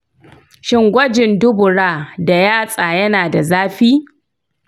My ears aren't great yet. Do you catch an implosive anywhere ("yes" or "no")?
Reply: no